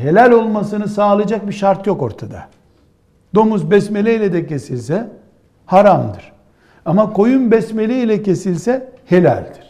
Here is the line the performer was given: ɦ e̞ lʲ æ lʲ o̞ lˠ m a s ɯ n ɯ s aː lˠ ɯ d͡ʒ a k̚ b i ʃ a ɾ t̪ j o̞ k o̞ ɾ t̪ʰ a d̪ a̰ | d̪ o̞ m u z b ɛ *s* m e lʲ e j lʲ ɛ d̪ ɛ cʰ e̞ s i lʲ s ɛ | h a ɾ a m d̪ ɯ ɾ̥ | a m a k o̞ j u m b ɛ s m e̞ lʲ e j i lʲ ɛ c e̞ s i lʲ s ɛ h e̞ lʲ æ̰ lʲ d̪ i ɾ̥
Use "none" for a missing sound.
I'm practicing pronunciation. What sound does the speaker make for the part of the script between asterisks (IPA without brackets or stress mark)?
s